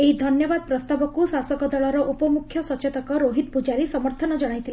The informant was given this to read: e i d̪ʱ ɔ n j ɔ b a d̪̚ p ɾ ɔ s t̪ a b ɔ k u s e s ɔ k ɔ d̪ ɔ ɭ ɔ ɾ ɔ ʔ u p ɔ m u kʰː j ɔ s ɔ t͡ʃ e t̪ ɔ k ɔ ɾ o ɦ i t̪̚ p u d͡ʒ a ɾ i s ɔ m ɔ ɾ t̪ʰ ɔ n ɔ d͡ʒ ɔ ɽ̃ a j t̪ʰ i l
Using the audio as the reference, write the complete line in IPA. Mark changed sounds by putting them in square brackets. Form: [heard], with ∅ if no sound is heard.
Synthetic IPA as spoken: e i d̪ʱ ɔ n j ɔ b a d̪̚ p ɾ ɔ s t̪ a b ɔ k u s [a] s ɔ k ɔ d̪ ɔ ɭ ɔ ɾ ɔ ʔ u p ɔ m u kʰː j ɔ s ɔ t͡ʃ e t̪ ɔ k ɔ ɾ o ɦ i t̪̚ p u d͡ʒ a ɾ i s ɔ m ɔ ɾ t̪ʰ ɔ n ɔ d͡ʒ ɔ ɽ̃ a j t̪ʰ i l

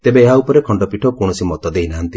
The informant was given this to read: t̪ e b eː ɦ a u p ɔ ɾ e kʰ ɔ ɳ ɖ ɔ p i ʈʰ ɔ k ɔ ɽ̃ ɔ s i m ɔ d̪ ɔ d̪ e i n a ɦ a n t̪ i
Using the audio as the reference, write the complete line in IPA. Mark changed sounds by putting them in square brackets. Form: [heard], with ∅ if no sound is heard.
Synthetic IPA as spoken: t̪ e b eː ɦ a u p ɔ ɾ e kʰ ɔ ɳ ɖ ɔ p i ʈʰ ɔ k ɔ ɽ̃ ɔ s i m ɔ [t̪] ɔ d̪ e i n a ɦ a n t̪ i

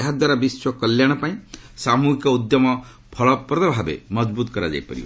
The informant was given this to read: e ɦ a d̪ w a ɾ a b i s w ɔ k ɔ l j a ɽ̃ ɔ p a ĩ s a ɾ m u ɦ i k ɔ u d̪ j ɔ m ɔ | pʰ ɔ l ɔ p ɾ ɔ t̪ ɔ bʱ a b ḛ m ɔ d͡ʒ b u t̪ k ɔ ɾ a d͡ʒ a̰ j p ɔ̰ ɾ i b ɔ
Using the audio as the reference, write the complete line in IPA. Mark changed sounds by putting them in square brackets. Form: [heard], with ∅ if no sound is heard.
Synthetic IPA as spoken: e ɦ a d̪ w a ɾ a b i s w ɔ k ɔ l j a ɽ̃ ɔ p a ĩ s a [∅] m u ɦ i k ɔ u d̪ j ɔ m ɔ | pʰ ɔ [ɭ] ɔ p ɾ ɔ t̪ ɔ bʱ a b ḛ m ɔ d͡ʒ b u t̪ k ɔ ɾ a d͡ʒ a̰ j p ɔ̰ ɾ i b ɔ

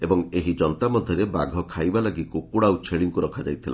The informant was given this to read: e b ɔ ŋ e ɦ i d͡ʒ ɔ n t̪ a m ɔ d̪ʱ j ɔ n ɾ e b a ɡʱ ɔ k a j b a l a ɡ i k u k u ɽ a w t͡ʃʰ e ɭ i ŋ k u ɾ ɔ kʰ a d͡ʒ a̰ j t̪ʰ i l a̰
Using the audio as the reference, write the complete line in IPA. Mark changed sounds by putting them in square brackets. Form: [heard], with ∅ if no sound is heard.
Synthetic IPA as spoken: e b ɔ ŋ e ɦ i d͡ʒ ɔ n t̪ a m ɔ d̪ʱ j ɔ [∅] ɾ e b a ɡʱ ɔ [kʰ] a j b a l a ɡ i k u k u ɽ a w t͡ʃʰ e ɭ i ŋ k u ɾ ɔ kʰ a d͡ʒ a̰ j t̪ʰ i l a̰

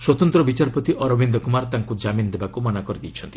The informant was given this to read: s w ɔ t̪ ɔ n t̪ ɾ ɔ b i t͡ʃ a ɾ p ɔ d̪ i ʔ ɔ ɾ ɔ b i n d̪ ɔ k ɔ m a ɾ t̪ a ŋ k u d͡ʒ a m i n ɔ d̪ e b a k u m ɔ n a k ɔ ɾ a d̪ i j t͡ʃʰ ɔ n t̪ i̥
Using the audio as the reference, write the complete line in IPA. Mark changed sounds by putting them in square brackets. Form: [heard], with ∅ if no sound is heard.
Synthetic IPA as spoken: s w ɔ t̪ ɔ n t̪ ɾ ɔ b i t͡ʃ a ɾ p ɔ [t̪] i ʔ ɔ ɾ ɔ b i n d̪ ɔ k [u] m a ɾ t̪ a ŋ k u d͡ʒ a m i n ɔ d̪ e b a k u m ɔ n a k ɔ ɾ [i] d̪ i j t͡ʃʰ ɔ n t̪ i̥

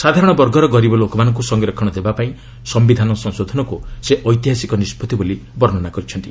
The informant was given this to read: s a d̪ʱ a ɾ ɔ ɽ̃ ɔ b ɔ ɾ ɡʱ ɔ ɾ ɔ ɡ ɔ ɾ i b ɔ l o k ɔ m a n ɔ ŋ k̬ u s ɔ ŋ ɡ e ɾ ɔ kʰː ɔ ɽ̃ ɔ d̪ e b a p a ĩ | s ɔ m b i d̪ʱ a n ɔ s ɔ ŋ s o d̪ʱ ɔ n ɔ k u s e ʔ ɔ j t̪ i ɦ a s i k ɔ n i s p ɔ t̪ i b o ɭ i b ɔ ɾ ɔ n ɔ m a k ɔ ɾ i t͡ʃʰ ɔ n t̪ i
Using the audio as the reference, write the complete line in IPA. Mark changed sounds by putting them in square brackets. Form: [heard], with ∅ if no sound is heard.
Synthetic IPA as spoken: s a d̪ʱ a ɾ ɔ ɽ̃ ɔ b ɔ ɾ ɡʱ ɔ ɾ ɔ ɡ ɔ ɾ i b ɔ l o k ɔ m a n ɔ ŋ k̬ u s ɔ ŋ ɡ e ɾ ɔ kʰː ɔ ɽ̃ ɔ d̪ e b a p a ĩ | s ɔ m b i d̪ʱ a n ɔ s ɔ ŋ s o d̪ʱ ɔ n ɔ k u s e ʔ ɔ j t̪ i ɦ a s i k ɔ n i s p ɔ t̪ i b o [l] i b ɔ ɾ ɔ n ɔ [n] a k ɔ ɾ i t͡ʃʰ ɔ n t̪ i

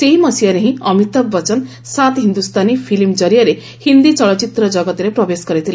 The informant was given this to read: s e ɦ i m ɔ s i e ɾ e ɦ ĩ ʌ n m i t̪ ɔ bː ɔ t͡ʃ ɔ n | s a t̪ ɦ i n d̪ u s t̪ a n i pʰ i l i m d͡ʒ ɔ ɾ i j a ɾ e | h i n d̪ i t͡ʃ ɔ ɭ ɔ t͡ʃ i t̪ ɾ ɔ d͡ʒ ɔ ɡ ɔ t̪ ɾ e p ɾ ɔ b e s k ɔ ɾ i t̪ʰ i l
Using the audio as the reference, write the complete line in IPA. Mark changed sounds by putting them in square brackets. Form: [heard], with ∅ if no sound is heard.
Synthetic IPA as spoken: s e ɦ i m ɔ s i [a] ɾ e ɦ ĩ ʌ [∅] m i t̪ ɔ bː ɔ t͡ʃ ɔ n | s a t̪ ɦ i n d̪ u s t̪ a n i pʰ i l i m d͡ʒ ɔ ɾ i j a ɾ e | h i n d̪ i t͡ʃ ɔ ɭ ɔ t͡ʃ i t̪ ɾ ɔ d͡ʒ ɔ ɡ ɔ t̪ ɾ e p ɾ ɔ b e s k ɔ ɾ i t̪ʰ i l

